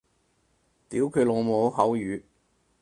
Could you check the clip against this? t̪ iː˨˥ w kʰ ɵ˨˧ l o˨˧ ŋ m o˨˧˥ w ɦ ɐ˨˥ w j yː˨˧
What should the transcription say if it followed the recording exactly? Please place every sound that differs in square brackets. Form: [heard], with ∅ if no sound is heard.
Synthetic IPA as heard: t̪ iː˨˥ w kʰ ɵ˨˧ l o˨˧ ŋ m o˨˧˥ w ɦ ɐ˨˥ w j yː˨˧

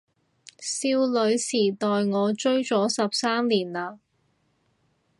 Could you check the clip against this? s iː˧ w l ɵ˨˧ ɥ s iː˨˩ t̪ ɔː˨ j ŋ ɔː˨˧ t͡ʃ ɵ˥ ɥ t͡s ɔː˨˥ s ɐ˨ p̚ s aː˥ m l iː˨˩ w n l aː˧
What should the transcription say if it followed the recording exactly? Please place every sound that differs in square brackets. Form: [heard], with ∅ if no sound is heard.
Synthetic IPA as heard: s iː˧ w l ɵ˨˧ ɥ s iː˨˩ t̪ ɔː˨ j ŋ ɔː˨˧ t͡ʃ ɵ˥ ɥ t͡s ɔː˨˥ s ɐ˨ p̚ s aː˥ m l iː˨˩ [∅] n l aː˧

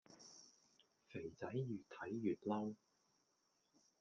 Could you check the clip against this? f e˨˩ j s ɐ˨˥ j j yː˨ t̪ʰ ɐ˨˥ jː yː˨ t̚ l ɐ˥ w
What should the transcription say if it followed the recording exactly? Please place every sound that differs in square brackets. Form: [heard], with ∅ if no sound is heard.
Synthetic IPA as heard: f e˨˩ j [t͡s] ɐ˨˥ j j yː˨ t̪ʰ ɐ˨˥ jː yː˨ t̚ l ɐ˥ w

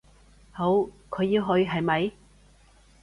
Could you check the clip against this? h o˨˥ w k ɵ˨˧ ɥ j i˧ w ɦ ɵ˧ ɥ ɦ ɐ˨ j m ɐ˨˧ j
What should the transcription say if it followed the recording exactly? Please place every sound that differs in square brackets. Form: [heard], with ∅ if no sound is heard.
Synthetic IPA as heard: h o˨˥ w [kʰ] ɵ˨˧ ɥ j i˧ w ɦ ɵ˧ ɥ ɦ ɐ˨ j m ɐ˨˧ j

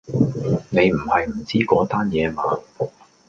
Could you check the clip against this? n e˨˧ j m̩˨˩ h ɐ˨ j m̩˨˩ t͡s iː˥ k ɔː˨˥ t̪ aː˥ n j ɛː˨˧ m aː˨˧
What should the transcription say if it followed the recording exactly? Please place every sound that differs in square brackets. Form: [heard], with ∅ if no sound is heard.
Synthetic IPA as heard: n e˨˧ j m̩˨˩ h ɐ˨ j m̩˨˩ t͡s iː˥ k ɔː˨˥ t̪ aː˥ n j ɛː˨˧ m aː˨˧

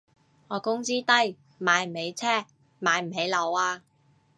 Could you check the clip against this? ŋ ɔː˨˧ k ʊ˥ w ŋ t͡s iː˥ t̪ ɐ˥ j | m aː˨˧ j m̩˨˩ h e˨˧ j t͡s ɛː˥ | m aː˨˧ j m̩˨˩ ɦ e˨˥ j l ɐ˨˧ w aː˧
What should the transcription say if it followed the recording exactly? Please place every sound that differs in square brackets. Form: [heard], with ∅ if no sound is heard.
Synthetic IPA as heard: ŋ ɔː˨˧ k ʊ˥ [∅] ŋ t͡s iː˥ t̪ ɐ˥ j | m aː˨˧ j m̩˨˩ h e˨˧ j [t͡sʰ] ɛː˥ | m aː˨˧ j m̩˨˩ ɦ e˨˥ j l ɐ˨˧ w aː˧

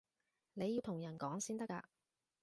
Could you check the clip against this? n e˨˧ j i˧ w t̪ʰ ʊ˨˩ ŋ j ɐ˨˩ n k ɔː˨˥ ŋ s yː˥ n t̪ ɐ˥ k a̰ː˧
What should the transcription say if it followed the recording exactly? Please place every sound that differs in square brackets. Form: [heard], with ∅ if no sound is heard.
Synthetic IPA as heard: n e˨˧ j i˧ w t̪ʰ ʊ˨˩ ŋ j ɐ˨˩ n k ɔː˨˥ ŋ s [iː˥] n t̪ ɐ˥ k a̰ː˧

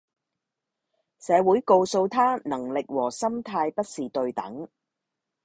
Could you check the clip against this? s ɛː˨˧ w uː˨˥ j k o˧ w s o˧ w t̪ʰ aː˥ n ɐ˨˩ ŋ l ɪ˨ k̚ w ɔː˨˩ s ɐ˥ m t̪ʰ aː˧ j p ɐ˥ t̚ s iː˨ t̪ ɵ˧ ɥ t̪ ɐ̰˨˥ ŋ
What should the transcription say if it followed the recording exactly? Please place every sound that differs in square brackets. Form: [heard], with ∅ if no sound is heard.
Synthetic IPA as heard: s ɛː˨˧ w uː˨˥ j k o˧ w s o˧ w t̪ʰ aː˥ n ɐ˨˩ ŋ l ɪ˨ k̚ w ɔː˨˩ s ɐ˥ m t̪ʰ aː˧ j p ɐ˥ t̚ s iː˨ t̪ ɵ˧ ɥ t̪ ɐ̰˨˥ ŋ

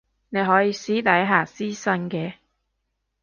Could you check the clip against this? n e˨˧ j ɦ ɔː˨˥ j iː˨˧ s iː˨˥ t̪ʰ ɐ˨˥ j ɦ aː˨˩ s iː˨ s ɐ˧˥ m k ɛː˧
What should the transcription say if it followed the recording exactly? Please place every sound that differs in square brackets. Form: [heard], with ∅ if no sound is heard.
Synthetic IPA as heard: n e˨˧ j ɦ ɔː˨˥ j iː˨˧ s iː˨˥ [t̪] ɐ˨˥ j ɦ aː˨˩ s [iː˥] s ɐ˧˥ [n] k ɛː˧

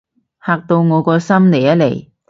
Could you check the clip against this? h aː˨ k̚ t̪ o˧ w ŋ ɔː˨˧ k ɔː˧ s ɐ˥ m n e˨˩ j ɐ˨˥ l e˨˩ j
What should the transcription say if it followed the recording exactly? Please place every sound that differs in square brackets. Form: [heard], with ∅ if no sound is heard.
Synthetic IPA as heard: h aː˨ k̚ t̪ o˧ w ŋ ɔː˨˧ k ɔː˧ s ɐ˥ m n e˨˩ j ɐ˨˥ l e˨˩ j

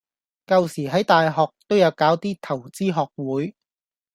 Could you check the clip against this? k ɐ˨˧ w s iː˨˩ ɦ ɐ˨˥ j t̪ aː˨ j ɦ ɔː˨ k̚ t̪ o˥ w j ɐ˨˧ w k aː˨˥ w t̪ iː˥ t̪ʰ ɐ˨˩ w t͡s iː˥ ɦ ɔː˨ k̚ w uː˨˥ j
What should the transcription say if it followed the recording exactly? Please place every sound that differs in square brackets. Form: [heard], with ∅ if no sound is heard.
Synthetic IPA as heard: k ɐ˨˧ w s iː˨˩ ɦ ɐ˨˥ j t̪ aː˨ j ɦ ɔː˨ k̚ t̪ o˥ w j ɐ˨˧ w k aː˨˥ w t̪ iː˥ t̪ʰ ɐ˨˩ w t͡s iː˥ ɦ ɔː˨ k̚ w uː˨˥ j

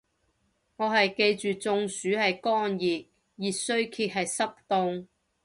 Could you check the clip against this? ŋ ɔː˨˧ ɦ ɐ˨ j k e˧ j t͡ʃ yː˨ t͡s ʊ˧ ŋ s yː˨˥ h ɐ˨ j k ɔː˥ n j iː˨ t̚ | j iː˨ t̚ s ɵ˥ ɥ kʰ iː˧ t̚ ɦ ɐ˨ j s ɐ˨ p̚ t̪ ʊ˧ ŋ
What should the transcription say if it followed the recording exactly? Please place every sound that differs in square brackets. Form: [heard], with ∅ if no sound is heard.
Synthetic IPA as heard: ŋ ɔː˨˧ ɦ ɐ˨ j k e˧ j t͡ʃ yː˨ t͡s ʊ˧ ŋ s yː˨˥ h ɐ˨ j k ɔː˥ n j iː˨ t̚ | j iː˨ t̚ s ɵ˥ ɥ kʰ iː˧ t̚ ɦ ɐ˨ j s [ɐ˥] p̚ t̪ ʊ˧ ŋ

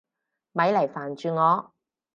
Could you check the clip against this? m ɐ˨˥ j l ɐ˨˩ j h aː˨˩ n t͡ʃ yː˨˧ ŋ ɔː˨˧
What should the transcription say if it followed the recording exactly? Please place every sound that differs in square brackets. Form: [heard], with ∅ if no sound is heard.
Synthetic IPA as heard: m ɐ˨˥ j l ɐ˨˩ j [f] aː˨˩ n t͡ʃ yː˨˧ ŋ ɔː˨˧

